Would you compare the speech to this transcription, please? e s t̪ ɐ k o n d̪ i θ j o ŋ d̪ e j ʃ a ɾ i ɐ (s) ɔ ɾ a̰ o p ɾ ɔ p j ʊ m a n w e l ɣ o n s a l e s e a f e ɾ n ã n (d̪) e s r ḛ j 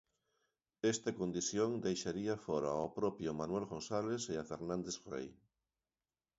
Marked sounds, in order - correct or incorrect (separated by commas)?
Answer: incorrect, correct